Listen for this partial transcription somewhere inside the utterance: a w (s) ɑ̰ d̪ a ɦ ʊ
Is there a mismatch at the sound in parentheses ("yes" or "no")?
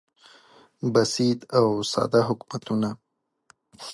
no